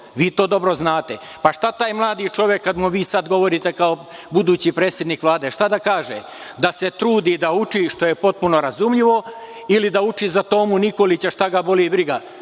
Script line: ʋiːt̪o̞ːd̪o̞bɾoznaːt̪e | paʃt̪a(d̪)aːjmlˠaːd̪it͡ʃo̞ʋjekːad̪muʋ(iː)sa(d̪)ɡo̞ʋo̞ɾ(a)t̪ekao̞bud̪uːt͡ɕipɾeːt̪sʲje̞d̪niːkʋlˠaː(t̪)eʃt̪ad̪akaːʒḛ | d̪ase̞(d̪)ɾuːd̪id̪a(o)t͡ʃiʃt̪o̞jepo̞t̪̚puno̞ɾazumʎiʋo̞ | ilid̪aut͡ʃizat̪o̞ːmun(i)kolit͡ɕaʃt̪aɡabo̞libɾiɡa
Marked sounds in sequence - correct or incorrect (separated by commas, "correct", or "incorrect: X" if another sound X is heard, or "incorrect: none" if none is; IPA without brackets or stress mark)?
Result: incorrect: t̪, correct, correct, incorrect: i, incorrect: d̪, incorrect: t̪, incorrect: u, correct